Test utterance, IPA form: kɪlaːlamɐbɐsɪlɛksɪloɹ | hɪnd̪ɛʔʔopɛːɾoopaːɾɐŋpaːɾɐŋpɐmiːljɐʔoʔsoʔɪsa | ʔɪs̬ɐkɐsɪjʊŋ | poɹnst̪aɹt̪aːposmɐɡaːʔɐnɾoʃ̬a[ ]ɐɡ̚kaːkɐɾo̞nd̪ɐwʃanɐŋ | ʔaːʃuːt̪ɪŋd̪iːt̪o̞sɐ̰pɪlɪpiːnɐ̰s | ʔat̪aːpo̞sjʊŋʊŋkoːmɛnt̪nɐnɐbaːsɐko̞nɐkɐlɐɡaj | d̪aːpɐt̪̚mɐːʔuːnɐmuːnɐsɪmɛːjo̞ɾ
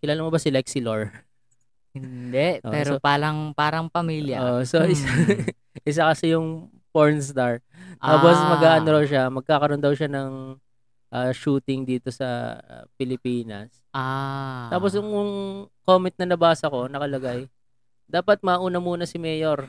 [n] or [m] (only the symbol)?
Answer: m